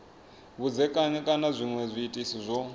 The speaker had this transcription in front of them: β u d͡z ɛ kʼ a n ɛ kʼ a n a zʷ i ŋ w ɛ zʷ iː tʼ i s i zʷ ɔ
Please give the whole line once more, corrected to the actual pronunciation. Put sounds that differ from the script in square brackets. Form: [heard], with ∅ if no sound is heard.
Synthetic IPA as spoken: β u d͡z ɛ kʼ a [ɲ] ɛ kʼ a n a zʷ i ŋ w ɛ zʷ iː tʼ i s i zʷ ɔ